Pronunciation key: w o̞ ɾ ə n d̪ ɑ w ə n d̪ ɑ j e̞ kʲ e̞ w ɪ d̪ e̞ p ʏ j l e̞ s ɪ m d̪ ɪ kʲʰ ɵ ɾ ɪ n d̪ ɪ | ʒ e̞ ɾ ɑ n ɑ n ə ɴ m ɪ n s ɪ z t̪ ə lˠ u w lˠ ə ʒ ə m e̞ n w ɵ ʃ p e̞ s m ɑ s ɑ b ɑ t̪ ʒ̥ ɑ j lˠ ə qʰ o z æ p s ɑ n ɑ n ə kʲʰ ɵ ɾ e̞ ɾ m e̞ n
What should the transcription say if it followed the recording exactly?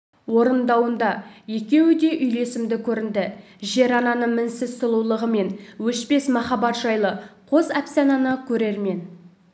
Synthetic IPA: w o̞ ɾ ə n d̪ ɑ w ə n d̪ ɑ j e̞ kʲ e̞ w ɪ d̪ e̞ ʔ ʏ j l e̞ s ɪ m d̪ ɪ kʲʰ ɵ ɾ ɪ n d̪ ɪ | ʒ e̞ ɾ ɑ n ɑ n ə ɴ m ɪ n s ɪ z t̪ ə lˠ u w lˠ ə ʁ ə m e̞ n w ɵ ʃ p e̞ s m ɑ χ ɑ b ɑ t̪ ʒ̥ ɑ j lˠ ə qʰ o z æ p s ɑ n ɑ n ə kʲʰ ɵ ɾ e̞ ɾ m e̞ n